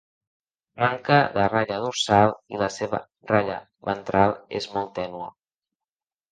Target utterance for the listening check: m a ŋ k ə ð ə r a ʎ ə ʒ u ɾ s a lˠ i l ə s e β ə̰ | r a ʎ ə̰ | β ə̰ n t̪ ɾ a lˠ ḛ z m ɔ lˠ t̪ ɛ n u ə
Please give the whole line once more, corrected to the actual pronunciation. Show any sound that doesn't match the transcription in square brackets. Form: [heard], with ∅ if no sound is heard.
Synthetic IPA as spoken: m a ŋ k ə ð ə r a ʎ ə [ð] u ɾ s a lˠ i l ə s e β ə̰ | r a ʎ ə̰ | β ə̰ n t̪ ɾ a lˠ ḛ z m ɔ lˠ t̪ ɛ n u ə